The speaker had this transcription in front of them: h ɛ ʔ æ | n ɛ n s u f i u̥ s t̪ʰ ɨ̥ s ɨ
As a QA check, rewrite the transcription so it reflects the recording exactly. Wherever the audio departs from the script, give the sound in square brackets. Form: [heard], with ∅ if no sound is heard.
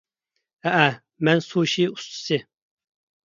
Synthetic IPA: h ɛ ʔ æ | [m] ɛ n s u [ʃ] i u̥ s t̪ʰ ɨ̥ s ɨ